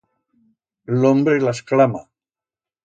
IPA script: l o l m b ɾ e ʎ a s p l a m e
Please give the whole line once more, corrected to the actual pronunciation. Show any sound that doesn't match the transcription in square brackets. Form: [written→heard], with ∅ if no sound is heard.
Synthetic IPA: l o [l→∅] m b ɾ e [ʎ→l] a s [p→k] l a m [e→a]